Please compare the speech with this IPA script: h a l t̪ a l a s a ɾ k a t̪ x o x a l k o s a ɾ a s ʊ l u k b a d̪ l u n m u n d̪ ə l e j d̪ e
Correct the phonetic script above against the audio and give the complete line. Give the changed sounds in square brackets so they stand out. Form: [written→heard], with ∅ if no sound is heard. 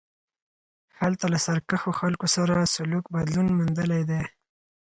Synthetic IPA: h a l t̪ a l a s a ɾ k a [t̪→∅] x o x a l k o s a ɾ a s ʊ l u k b a d̪ l u n m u n d̪ ə l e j d̪ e